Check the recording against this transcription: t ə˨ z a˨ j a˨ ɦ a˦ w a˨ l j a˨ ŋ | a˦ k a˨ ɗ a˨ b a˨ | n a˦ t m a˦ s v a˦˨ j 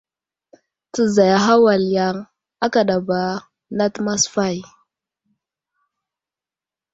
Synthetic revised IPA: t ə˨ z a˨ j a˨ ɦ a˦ w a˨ l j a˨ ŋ | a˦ k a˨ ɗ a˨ b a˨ | n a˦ t m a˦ s f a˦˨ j